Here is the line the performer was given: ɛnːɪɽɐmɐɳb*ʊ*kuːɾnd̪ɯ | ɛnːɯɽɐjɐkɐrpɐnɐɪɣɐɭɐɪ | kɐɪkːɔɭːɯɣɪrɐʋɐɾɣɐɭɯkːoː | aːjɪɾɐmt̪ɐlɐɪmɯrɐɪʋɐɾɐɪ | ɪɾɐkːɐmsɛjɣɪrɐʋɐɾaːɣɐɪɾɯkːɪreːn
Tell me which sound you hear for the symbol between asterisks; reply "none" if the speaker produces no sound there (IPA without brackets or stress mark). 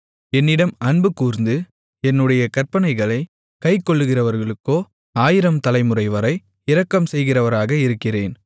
ɯ